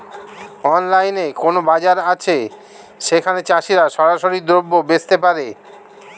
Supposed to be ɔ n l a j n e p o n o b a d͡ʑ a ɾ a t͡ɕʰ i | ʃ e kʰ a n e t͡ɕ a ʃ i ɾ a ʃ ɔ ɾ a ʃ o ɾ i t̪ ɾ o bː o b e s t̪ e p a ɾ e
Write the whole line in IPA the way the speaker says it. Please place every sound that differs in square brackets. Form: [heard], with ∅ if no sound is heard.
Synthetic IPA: ɔ n l a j n e [k] o n o b a d͡ʑ a ɾ a t͡ɕʰ [e] | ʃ e kʰ a n e t͡ɕ a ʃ i ɾ a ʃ ɔ ɾ a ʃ o ɾ i [d̪] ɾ o bː o b e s t̪ e p a ɾ e